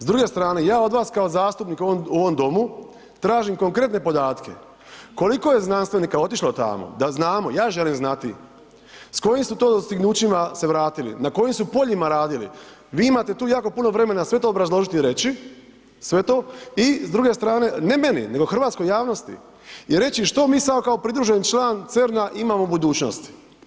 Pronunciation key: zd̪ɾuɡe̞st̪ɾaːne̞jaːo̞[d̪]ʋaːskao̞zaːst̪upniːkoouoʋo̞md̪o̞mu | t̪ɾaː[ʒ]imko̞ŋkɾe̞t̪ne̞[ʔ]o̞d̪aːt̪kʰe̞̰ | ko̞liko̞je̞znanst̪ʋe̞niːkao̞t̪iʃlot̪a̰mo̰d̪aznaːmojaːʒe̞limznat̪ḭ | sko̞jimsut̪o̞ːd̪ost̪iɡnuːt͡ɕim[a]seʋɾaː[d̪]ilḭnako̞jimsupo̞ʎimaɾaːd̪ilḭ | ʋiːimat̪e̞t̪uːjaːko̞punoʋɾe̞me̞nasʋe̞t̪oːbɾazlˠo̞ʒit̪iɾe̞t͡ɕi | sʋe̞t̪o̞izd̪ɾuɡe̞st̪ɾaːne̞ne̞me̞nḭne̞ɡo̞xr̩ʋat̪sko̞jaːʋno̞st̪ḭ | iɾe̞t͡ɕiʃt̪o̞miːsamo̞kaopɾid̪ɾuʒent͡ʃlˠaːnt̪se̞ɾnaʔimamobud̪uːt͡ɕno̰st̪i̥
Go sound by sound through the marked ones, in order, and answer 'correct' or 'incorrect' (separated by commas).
correct, correct, incorrect, correct, incorrect